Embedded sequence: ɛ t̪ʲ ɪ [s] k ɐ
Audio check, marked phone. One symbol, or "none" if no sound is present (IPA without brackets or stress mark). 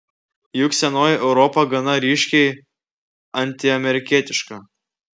ʃ